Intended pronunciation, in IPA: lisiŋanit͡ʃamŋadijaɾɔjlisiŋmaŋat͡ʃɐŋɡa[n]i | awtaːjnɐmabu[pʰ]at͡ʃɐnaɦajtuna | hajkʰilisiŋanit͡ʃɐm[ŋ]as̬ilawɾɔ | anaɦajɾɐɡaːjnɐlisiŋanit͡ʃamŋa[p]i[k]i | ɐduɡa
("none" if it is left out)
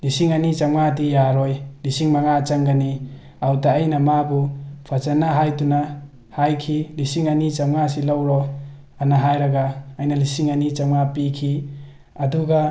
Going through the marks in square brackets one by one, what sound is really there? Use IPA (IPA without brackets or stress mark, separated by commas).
n, pʰ, ŋ, p, kʰ